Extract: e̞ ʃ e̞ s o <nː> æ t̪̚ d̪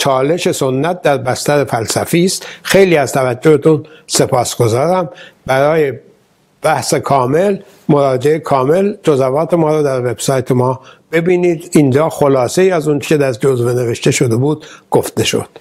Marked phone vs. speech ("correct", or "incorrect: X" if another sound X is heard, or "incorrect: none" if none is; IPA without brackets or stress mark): correct